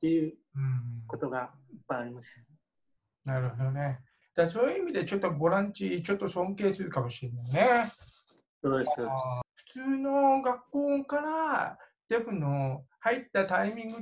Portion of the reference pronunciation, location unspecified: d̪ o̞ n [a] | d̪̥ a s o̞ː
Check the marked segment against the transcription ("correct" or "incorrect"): incorrect